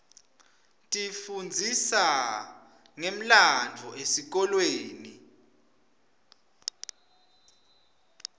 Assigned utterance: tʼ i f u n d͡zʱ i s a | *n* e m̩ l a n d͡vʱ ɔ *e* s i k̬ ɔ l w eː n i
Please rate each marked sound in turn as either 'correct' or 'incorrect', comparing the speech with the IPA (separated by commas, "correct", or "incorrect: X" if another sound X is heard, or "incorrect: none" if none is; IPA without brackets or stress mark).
incorrect: ŋ, correct